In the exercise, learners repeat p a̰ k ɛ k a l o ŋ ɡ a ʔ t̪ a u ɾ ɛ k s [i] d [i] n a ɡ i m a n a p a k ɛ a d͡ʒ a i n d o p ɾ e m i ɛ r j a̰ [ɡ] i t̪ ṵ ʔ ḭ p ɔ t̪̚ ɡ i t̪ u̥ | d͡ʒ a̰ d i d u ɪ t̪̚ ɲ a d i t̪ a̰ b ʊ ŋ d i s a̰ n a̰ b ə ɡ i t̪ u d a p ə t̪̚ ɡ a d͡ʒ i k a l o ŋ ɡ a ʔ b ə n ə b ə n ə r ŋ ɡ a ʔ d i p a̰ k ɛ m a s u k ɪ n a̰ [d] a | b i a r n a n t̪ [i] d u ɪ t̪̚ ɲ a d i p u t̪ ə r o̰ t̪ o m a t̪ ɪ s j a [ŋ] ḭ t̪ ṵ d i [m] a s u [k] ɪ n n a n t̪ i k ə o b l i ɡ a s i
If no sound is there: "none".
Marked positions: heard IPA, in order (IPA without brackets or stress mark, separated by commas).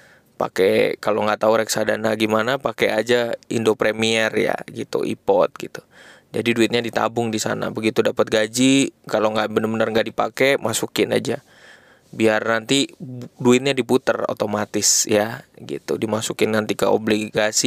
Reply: a, a, ɡ, d͡ʒ, i, ɡ, m, k